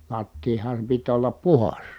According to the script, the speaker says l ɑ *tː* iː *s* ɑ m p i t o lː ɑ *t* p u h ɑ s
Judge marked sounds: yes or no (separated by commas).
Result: yes, no, no